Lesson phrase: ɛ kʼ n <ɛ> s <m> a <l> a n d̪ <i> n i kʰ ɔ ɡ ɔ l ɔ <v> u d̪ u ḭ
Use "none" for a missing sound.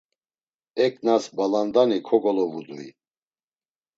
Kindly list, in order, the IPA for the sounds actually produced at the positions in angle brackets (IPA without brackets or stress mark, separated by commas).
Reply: a, b, l, a, v